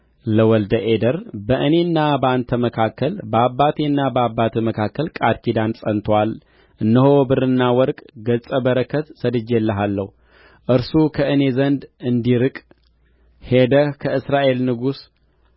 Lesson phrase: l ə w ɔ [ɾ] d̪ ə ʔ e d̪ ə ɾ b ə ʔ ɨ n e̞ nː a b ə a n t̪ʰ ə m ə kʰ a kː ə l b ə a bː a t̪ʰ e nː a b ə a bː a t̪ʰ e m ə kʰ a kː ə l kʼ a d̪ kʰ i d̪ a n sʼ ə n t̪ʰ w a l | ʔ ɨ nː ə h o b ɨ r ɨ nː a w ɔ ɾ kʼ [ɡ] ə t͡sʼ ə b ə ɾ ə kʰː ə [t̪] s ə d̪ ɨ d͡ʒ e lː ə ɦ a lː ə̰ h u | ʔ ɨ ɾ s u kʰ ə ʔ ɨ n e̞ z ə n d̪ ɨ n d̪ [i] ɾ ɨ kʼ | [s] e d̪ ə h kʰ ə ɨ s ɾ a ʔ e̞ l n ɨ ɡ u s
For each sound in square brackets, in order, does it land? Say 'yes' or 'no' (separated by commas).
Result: no, yes, yes, yes, no